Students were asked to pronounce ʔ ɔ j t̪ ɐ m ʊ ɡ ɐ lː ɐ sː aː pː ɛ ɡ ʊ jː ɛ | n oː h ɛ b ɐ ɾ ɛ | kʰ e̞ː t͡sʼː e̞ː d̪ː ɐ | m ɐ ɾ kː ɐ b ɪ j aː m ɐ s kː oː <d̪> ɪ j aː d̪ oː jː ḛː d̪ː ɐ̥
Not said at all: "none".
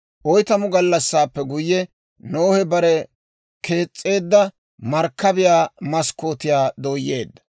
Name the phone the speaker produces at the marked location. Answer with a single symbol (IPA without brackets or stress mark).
t̪